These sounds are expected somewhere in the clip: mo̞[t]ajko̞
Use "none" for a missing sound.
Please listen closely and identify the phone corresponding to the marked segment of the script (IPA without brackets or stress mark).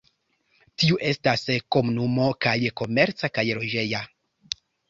k